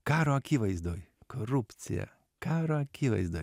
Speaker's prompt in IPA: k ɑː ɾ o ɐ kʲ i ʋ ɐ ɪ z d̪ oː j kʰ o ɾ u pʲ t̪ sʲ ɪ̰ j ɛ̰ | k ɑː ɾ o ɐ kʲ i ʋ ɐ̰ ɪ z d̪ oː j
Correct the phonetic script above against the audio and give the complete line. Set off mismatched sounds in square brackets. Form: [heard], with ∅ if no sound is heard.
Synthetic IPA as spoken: k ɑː ɾ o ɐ kʲ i ʋ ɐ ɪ z d̪ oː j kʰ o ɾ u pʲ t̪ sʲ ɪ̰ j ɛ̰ | k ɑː ɾ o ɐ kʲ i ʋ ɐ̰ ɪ z d̪ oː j